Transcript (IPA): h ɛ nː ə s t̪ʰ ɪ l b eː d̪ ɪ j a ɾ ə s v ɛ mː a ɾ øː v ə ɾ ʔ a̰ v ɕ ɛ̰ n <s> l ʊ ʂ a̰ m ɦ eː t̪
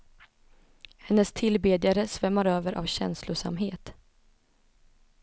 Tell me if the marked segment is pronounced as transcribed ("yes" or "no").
yes